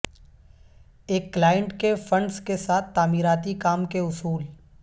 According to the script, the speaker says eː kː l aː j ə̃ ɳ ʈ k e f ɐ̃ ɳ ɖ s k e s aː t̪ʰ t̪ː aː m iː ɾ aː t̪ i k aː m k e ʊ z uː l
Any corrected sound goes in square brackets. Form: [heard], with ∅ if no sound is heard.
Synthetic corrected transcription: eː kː l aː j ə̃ ɳ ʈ k e f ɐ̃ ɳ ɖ s k e s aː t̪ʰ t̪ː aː m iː ɾ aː t̪ i k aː m k e ʊ [s] uː l

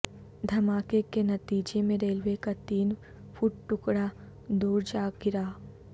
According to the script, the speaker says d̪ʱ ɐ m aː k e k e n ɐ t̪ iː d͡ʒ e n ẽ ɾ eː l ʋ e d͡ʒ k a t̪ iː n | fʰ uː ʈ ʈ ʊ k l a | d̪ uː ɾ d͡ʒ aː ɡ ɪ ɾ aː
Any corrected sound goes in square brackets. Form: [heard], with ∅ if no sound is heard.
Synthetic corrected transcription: d̪ʱ ɐ m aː k e k e n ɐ t̪ iː d͡ʒ e [m] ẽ ɾ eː l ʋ e [∅] k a t̪ iː n | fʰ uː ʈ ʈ ʊ k [ɽ] a | d̪ uː ɾ d͡ʒ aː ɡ ɪ ɾ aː

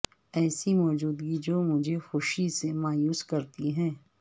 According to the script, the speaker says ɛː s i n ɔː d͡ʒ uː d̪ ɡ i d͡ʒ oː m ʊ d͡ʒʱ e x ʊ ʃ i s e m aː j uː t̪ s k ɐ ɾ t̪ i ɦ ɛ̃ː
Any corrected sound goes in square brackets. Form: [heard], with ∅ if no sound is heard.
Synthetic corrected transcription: ɛː s i [m] ɔː d͡ʒ uː d̪ ɡ i d͡ʒ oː m ʊ d͡ʒʱ e x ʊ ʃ i s e m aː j uː [∅] s k ɐ ɾ t̪ i ɦ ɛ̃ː

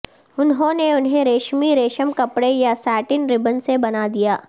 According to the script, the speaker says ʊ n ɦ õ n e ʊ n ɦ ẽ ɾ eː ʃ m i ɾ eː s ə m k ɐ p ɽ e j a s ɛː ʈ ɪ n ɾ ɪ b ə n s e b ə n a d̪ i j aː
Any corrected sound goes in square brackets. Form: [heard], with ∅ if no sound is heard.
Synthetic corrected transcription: ʊ n ɦ õ n e ʊ n ɦ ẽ ɾ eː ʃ m i ɾ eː [ʃ] ə m k ɐ p ɽ e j a s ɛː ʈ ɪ n ɾ ɪ b ə n s e b [ɐ] n a d̪ i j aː

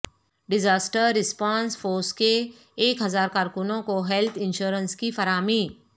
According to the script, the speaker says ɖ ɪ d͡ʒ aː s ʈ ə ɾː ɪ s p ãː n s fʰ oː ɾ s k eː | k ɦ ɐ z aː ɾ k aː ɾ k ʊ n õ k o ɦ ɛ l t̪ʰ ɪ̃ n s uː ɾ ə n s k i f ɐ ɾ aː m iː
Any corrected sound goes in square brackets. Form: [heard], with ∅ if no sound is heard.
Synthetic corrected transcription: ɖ ɪ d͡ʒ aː s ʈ ə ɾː ɪ s p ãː n s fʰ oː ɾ s k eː | k ɦ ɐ z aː ɾ k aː ɾ k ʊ n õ k o ɦ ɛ l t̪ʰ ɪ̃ n [ʃ] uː ɾ ə n s k i f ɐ ɾ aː m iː

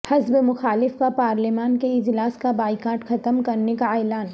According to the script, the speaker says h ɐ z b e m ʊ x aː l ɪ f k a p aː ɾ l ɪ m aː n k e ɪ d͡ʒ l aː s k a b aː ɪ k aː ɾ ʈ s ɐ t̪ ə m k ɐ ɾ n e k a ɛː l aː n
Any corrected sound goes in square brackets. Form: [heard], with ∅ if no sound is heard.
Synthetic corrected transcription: h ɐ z b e m ʊ x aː l ɪ f k a p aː ɾ l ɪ m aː n k e ɪ d͡ʒ l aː s k a b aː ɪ k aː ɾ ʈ [x] ɐ t̪ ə m k ɐ ɾ n e k a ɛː l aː n

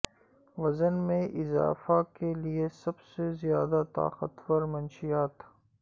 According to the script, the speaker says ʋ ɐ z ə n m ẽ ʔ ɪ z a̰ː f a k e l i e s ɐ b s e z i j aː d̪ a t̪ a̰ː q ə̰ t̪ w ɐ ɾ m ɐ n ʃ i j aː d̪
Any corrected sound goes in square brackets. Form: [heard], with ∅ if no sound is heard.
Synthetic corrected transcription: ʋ ɐ z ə n m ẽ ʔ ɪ z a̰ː f a k e l i e s ɐ b s e z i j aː d̪ a t̪ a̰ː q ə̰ t̪ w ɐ ɾ m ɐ n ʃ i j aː [t̪]

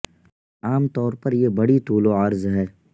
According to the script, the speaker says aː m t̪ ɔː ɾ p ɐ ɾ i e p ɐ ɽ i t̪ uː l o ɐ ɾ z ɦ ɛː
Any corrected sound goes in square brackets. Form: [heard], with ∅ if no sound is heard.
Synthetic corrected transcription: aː m t̪ ɔː ɾ p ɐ ɾ [j] e [b] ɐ ɽ i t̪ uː l o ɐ ɾ z ɦ ɛː

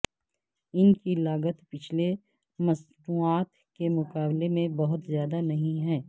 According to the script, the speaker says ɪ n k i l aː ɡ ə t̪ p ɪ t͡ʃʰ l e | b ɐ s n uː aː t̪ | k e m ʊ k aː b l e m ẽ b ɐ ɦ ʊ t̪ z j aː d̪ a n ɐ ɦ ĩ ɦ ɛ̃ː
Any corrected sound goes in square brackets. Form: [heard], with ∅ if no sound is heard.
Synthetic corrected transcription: ɪ n k i l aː ɡ ə t̪ p ɪ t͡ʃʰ l e | [m] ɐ s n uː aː t̪ | k e m ʊ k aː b l e m ẽ b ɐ ɦ ʊ t̪ z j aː d̪ a n ɐ ɦ ĩ ɦ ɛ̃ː

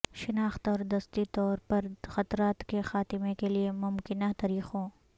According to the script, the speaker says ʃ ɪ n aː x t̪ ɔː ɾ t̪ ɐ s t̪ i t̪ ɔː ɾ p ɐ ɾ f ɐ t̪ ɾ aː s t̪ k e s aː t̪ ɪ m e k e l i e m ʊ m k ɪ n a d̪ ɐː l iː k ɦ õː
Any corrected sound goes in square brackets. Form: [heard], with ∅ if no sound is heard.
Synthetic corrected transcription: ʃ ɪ n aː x t̪ ɔː ɾ [d̪] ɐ s t̪ i t̪ ɔː ɾ p ɐ ɾ [x] ɐ t̪ ɾ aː [∅] t̪ k e [x] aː t̪ ɪ m e k e l i e m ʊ m k ɪ n a [t̪] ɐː [ɾ] iː [x] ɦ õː

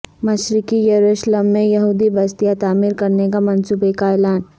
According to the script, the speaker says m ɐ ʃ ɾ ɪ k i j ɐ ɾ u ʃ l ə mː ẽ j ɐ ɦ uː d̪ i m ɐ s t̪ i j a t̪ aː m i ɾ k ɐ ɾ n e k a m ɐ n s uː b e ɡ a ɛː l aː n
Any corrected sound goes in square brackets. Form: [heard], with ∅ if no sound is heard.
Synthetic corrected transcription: m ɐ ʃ ɾ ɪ k i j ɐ ɾ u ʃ l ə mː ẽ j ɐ ɦ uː d̪ i [b] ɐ s t̪ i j a t̪ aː m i ɾ k ɐ ɾ n e k a m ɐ n s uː b e [k] a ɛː l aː n

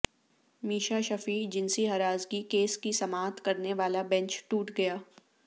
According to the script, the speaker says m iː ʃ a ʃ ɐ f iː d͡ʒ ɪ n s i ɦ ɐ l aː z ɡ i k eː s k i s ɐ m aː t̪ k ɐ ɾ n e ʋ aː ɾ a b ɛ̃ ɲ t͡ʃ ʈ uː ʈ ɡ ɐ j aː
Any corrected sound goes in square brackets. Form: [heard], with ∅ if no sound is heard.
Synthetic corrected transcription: m iː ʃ a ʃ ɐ f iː d͡ʒ ɪ n s i ɦ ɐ [ɾ] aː z ɡ i k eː s k i s ɐ m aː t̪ k ɐ ɾ n e ʋ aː [l] a b ɛ̃ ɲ t͡ʃ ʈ uː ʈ ɡ ɐ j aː

